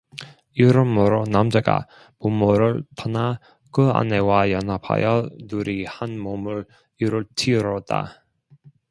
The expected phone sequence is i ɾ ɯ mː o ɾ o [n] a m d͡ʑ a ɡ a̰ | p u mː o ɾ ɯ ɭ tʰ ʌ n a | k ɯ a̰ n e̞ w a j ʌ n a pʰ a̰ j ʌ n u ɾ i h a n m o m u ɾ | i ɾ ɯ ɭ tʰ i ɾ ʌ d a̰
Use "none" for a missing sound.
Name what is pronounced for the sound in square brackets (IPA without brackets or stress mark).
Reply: n